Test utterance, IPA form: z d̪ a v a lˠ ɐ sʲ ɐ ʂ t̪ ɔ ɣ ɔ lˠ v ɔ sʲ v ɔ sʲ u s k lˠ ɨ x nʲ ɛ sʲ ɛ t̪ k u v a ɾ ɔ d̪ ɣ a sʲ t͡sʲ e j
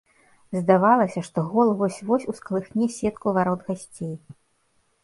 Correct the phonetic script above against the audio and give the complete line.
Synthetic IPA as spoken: z d̪ a v a lˠ ɐ sʲ ɐ ʂ t̪ ɔ ɣ ɔ lˠ v ɔ sʲ v ɔ sʲ u s k lˠ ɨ x nʲ ɛ sʲ ɛ t̪ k u v a ɾ ɔ d̪ ɣ a sʲ t͡sʲ e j